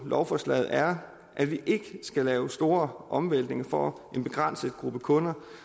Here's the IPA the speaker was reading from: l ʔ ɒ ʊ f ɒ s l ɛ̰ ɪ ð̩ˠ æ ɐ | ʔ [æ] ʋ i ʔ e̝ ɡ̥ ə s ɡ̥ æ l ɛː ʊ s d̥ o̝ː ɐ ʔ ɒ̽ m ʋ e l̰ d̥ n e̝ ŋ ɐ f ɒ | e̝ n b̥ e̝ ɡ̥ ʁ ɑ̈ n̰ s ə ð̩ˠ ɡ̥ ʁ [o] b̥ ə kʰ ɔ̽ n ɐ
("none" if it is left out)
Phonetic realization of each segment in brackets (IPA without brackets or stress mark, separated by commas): æ, u